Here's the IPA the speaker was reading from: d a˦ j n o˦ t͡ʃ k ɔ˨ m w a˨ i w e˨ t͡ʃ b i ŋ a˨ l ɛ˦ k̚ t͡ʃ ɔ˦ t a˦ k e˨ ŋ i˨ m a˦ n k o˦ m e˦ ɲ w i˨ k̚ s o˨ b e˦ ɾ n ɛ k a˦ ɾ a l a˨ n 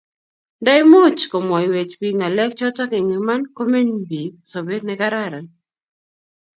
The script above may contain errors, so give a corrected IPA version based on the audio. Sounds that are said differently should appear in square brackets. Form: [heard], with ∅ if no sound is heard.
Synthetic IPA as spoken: d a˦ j [m] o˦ t͡ʃ k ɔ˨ m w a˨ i w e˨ t͡ʃ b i ŋ a˨ l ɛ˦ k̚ t͡ʃ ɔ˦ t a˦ k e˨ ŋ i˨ m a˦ n k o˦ m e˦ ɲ [b] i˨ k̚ s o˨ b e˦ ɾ n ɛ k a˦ ɾ a [ɾ] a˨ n